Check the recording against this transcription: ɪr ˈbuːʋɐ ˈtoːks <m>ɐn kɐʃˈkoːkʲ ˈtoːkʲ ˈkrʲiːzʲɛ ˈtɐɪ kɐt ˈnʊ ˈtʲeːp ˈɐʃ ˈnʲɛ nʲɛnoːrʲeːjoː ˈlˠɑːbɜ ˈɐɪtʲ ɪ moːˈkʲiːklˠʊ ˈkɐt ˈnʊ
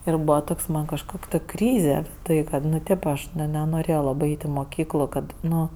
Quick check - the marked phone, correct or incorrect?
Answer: correct